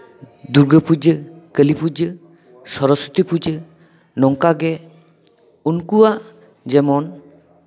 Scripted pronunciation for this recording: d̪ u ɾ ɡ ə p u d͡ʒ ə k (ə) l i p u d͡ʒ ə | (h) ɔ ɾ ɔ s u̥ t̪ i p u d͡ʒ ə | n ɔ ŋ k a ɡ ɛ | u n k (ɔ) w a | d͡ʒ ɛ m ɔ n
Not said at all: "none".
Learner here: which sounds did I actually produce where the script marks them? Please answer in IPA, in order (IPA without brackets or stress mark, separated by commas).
ə, s, u